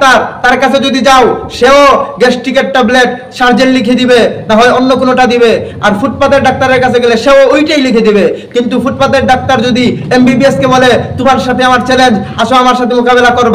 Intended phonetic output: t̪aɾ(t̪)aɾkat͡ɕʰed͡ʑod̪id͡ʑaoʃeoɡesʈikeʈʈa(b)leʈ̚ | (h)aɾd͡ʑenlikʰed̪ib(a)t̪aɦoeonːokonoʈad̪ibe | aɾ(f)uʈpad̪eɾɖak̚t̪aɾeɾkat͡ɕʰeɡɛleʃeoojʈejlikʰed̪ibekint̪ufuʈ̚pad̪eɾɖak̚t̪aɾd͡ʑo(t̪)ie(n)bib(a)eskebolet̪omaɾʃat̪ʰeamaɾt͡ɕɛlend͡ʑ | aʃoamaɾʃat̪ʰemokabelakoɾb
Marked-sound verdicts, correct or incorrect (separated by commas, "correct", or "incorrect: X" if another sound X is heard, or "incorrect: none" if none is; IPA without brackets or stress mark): correct, correct, incorrect: ʃ, incorrect: e, correct, incorrect: d̪, incorrect: m, incorrect: i